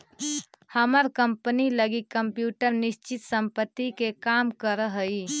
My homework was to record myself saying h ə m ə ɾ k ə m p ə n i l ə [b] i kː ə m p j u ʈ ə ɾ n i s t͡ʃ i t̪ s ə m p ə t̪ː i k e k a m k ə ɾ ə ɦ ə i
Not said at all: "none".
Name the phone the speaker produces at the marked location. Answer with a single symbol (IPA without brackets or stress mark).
ɡ